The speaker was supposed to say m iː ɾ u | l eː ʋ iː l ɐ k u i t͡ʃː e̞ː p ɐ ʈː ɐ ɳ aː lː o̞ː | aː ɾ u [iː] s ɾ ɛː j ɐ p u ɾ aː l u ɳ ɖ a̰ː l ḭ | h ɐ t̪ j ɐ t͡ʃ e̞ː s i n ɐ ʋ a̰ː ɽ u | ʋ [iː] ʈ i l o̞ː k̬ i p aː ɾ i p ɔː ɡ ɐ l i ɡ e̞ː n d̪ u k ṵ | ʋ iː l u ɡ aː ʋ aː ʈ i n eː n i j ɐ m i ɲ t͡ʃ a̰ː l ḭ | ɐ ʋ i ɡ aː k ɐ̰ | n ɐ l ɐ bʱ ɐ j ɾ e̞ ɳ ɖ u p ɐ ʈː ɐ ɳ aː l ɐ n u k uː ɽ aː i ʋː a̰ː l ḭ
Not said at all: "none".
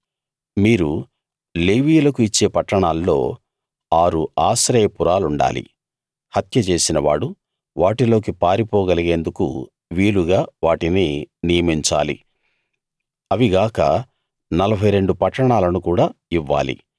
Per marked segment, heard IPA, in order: aː, aː

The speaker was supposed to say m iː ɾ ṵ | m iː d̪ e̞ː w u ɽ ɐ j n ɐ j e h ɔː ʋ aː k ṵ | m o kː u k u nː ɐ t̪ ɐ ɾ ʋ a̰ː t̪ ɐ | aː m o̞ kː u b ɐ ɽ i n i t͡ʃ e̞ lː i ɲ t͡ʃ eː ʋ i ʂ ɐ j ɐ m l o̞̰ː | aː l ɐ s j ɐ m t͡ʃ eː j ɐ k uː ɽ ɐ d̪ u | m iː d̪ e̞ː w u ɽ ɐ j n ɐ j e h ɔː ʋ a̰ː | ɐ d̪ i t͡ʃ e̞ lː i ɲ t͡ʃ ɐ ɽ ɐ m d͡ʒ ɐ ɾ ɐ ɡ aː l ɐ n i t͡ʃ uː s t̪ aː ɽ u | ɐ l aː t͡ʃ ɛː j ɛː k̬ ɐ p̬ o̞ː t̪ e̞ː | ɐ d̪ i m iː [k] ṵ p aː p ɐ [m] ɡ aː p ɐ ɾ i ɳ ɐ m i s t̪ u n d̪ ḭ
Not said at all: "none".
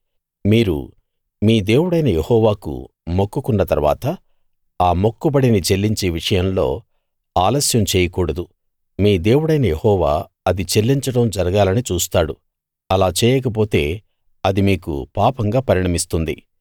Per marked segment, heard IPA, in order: k, ŋ

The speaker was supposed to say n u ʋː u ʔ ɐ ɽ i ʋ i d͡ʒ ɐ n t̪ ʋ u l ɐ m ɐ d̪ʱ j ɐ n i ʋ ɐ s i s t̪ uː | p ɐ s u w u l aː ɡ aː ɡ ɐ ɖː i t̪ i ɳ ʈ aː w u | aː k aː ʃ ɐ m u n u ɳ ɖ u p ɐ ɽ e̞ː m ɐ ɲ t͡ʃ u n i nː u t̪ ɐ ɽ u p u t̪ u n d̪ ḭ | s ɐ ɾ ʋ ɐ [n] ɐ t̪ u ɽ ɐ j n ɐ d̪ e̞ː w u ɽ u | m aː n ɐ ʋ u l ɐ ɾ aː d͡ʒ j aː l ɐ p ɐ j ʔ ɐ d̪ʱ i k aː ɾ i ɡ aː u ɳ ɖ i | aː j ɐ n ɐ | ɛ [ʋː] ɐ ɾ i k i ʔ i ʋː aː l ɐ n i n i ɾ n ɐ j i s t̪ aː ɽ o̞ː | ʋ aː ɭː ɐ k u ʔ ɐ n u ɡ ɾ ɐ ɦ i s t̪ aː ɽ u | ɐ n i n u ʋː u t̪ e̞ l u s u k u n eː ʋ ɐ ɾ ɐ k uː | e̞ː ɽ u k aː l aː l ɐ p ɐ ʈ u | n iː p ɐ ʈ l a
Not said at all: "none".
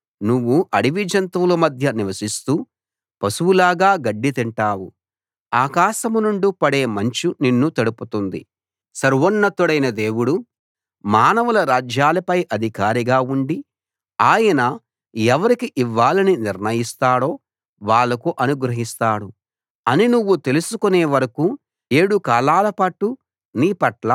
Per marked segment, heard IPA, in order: nː, ʋ

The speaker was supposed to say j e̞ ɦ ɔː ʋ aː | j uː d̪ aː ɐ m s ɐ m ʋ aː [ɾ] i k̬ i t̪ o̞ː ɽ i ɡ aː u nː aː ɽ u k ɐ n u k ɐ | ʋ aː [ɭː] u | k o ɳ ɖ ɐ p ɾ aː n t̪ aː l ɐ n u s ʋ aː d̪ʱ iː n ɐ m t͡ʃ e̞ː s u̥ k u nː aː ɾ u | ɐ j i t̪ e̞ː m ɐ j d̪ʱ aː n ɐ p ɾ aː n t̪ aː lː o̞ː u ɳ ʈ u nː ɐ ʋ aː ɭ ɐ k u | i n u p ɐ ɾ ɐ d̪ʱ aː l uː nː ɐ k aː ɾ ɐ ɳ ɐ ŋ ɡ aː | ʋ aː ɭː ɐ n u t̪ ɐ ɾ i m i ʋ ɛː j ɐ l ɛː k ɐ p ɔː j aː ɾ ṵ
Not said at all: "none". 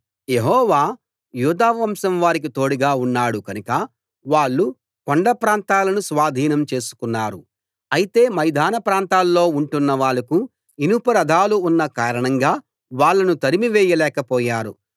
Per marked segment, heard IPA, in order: ɾ, ɭː

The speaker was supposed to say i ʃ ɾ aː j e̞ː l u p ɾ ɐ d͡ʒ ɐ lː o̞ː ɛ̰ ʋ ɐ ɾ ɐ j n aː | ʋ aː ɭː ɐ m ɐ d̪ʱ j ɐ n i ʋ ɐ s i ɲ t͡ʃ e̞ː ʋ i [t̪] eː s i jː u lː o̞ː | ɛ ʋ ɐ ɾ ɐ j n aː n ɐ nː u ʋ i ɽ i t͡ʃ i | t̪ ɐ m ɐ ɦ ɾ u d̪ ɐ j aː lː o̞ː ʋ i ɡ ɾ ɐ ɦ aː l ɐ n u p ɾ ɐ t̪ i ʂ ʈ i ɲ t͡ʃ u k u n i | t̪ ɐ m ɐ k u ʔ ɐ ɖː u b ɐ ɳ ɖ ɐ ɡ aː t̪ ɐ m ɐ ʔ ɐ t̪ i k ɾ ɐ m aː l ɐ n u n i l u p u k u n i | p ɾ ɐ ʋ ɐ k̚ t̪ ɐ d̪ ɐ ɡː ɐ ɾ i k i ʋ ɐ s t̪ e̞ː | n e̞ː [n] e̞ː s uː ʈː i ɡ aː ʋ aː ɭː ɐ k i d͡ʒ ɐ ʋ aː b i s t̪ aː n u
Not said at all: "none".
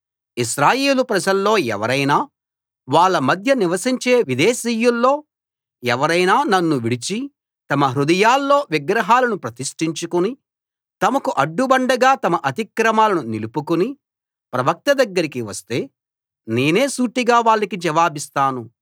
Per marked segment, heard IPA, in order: d̪, n

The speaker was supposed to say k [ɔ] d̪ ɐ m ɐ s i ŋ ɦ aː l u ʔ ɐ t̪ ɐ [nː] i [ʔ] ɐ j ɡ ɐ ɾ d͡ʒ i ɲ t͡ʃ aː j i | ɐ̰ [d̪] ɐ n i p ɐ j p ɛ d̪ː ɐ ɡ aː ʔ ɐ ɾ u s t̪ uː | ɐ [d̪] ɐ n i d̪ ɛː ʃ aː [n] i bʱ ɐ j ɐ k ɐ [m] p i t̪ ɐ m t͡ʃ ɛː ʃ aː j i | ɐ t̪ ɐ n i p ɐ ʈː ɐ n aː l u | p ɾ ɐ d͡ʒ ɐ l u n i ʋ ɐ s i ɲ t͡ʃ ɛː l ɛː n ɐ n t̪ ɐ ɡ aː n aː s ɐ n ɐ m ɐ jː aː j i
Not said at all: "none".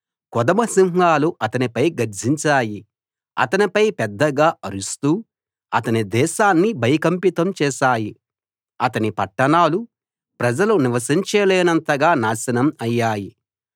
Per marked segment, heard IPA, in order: ɔ, n, p, t̪, t̪, nː, m

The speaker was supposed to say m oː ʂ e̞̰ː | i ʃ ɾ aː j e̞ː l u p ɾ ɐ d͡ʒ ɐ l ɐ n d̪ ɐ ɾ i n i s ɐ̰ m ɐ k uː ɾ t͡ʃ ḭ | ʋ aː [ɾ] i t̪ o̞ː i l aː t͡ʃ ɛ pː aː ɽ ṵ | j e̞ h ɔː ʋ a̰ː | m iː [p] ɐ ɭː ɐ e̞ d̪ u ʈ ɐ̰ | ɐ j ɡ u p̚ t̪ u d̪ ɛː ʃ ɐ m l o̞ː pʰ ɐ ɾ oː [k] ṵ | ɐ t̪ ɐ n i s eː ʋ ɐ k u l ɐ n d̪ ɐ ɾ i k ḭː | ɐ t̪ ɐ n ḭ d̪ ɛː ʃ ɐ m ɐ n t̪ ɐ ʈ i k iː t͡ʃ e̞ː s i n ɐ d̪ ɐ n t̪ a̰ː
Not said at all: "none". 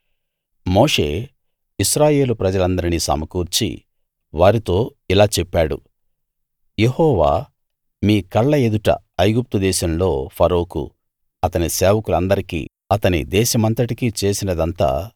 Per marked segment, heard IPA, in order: ɾ, k, k

